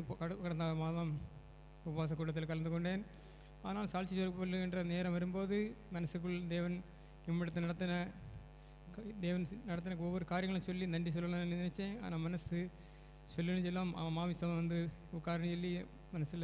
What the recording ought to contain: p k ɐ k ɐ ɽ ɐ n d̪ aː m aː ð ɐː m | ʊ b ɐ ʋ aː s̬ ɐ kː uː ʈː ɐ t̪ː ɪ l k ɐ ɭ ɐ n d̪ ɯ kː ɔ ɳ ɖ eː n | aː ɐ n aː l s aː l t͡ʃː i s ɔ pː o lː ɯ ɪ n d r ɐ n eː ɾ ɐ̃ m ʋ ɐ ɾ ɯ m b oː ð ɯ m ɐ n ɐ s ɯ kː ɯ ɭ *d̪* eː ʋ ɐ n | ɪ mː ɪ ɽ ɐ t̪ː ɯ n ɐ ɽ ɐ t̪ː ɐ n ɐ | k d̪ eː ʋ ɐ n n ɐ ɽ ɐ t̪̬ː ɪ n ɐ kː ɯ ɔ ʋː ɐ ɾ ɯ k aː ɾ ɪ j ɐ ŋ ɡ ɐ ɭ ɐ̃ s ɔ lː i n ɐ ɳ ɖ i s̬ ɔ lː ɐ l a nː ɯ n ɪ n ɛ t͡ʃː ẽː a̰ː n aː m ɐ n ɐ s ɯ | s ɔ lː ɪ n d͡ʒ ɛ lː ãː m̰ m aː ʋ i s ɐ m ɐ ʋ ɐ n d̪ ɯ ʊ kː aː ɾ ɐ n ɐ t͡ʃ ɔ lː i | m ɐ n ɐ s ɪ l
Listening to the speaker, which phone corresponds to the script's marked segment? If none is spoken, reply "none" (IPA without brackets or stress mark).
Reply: d̪